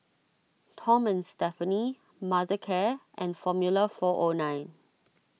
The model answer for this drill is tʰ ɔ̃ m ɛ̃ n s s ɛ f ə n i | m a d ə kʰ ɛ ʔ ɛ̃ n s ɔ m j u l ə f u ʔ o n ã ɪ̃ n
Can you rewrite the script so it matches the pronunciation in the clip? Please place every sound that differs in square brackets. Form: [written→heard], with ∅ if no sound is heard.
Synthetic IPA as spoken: tʰ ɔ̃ m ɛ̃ n s [s→t] ɛ f ə n i | m a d ə kʰ ɛ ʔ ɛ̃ n [s→f] ɔ m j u l ə f [u→ɔ] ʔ o n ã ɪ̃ n